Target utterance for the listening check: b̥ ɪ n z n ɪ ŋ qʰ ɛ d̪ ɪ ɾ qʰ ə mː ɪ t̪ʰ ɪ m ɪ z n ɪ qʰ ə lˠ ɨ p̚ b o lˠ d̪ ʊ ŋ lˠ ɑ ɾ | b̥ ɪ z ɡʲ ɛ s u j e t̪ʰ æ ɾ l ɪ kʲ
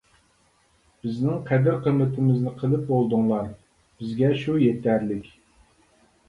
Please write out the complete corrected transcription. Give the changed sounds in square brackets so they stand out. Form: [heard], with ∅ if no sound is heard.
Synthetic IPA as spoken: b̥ ɪ [∅] z n ɪ ŋ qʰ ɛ d̪ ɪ ɾ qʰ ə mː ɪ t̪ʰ ɪ m ɪ z n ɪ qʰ ə lˠ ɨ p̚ b o lˠ d̪ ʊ ŋ lˠ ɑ ɾ | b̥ ɪ z ɡʲ ɛ [ʃ] u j e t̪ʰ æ ɾ l ɪ kʲ